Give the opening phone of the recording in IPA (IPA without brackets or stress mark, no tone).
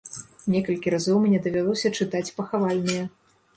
nʲ